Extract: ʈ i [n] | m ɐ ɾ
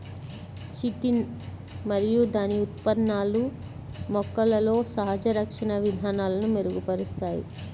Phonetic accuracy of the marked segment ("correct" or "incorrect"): correct